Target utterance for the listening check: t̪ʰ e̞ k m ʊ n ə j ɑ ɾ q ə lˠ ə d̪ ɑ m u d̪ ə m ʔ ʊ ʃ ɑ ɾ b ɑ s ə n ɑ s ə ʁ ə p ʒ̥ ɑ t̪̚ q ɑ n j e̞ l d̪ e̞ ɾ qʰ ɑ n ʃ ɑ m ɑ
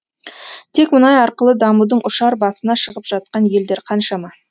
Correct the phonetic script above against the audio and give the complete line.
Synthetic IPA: t̪ʰ e̞ k m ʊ n ɑ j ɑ ɾ q ə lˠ ə d̪ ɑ m u d̪ ə ɴ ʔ ʊ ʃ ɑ ɾ b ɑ s ə n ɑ ʃ ə ʁ ə p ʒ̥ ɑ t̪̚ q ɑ n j e̞ l d̪ e̞ ɾ qʰ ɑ n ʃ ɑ m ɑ